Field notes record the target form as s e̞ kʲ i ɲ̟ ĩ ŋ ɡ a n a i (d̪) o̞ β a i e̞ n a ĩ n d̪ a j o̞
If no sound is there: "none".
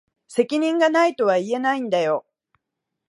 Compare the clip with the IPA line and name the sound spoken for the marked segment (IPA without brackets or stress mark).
t̪